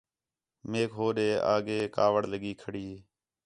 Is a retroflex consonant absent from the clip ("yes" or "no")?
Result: no